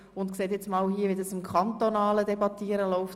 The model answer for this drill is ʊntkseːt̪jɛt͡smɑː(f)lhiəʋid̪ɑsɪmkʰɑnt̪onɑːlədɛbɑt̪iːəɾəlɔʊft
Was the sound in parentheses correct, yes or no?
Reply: no